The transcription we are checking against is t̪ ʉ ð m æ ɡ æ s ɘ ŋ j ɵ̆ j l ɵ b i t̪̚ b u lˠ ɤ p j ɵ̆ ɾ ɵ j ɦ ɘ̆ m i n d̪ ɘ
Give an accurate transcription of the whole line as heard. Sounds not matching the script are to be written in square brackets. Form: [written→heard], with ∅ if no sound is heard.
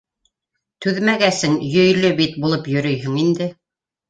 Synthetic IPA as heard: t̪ ʉ ð m æ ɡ æ s ɘ ŋ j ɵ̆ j l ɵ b i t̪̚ b u lˠ ɤ p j ɵ̆ ɾ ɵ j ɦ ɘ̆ [m→ŋ] i n d̪ ɘ